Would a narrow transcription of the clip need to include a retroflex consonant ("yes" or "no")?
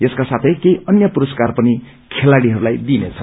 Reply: yes